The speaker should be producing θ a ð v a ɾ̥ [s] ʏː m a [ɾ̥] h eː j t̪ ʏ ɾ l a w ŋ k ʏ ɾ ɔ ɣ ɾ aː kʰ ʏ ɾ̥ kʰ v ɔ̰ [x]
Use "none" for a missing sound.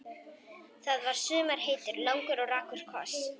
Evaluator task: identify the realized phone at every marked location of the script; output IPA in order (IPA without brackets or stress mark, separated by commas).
s, ɾ̥, s